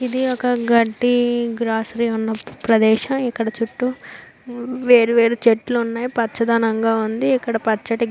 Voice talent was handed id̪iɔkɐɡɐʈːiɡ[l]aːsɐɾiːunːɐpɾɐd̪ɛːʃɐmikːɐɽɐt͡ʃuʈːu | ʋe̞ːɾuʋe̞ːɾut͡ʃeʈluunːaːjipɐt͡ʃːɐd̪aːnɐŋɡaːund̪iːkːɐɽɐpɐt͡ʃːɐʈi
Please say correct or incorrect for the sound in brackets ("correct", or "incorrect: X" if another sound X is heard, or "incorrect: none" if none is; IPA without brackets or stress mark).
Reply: incorrect: ɾ